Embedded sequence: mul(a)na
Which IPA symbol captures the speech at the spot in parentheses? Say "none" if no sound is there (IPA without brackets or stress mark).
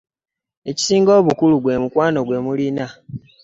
i